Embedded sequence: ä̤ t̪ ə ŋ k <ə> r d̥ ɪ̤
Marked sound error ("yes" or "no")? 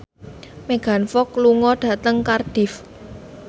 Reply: yes